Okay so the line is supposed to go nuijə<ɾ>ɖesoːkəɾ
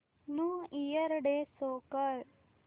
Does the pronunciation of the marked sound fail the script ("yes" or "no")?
no